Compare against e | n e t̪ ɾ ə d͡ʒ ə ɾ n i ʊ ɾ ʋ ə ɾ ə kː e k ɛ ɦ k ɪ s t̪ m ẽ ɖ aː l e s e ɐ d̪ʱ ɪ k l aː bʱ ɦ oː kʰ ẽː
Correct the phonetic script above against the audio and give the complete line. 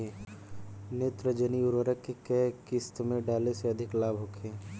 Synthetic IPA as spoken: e | n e t̪ ɾ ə d͡ʒ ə n i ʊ ɾ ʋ ə ɾ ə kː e k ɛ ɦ k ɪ s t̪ m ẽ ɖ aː l e s e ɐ d̪ʱ ɪ k l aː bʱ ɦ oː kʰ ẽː